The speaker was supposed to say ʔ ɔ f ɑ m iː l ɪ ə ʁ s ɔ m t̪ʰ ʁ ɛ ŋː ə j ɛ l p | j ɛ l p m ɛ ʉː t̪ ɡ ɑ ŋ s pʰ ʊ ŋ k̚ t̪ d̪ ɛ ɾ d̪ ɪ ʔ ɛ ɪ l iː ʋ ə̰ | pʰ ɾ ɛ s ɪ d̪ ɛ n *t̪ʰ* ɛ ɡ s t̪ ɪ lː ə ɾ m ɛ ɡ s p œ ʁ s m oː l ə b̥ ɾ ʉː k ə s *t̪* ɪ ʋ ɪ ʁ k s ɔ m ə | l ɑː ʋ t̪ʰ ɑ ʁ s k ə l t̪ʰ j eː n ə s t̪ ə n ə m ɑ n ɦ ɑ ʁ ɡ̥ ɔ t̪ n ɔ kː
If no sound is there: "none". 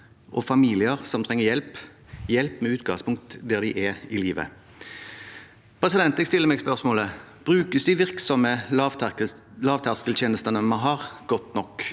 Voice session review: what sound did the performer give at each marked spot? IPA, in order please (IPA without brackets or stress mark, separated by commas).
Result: t̪, d̪